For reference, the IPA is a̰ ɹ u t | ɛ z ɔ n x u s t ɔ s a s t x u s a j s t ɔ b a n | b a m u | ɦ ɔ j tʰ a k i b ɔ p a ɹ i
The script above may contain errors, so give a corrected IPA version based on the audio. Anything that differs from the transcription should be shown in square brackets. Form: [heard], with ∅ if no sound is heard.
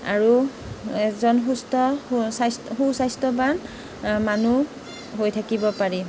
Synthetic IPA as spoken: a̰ ɹ u [∅] | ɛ z ɔ n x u s t ɔ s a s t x u s a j s t ɔ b a n | [m] a [n] u | ɦ [o] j tʰ a k i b ɔ p a ɹ i